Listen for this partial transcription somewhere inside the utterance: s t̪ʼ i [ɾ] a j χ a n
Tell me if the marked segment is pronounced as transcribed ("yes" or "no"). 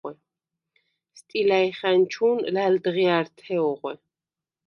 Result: no